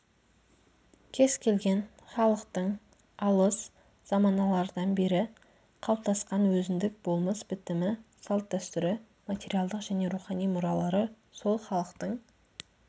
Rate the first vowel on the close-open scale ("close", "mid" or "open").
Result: mid